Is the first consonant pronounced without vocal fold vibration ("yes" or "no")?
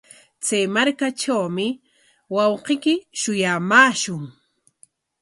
yes